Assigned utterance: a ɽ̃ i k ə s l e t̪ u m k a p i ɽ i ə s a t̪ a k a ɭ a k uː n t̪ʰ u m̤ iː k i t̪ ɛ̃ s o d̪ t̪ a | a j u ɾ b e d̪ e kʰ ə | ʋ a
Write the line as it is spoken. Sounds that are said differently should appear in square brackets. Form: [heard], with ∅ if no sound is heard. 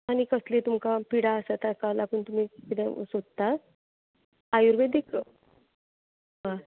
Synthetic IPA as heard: a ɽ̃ i k ə s l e t̪ u m k a p i ɽ [a] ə s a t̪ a k a [l] a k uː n [t̪] u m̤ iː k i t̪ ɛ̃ s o d̪ t̪ a | a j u ɾ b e d̪ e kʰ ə | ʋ a